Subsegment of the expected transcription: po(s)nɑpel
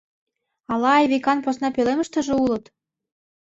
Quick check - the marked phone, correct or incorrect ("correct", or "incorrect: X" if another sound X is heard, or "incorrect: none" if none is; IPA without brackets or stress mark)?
correct